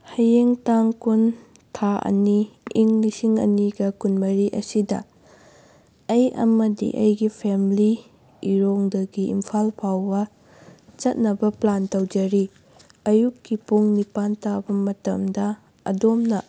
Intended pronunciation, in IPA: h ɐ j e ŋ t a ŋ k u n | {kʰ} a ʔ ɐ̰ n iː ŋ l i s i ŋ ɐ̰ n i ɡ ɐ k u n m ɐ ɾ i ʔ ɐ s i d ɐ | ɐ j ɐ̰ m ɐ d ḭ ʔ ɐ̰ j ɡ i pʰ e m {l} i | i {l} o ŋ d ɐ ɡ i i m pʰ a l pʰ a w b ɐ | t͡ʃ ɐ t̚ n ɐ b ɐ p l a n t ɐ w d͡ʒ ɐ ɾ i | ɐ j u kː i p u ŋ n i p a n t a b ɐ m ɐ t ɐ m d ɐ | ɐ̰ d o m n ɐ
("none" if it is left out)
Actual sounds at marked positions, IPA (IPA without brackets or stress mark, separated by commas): tʰ, l, ɾ